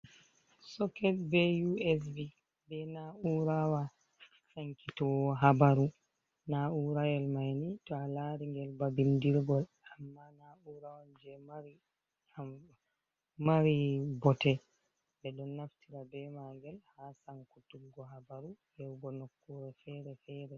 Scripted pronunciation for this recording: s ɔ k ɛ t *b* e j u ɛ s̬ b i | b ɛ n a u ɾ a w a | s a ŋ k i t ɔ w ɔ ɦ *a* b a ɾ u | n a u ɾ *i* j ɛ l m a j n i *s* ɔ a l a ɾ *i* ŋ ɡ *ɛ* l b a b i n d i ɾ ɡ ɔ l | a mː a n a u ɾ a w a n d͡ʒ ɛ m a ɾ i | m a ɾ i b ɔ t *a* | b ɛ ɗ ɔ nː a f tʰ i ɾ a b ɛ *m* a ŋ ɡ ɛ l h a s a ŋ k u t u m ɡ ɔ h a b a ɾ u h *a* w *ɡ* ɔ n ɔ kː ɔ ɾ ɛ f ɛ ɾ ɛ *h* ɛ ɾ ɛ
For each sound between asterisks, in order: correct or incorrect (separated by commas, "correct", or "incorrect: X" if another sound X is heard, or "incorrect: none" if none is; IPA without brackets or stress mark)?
correct, correct, incorrect: a, incorrect: t, correct, correct, incorrect: ɛ, correct, incorrect: ɛ, correct, incorrect: f